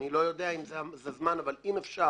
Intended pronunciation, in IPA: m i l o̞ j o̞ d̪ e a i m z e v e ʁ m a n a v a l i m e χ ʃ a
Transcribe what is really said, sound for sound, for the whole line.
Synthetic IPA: n i l o̞ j o̞ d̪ e a i m z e z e z m a n a v a l i m e f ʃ a